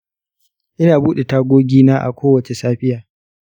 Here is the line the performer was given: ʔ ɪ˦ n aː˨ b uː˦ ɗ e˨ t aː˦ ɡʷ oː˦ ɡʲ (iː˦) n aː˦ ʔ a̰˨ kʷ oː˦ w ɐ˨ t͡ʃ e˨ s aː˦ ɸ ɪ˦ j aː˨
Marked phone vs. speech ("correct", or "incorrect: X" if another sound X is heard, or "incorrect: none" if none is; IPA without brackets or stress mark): correct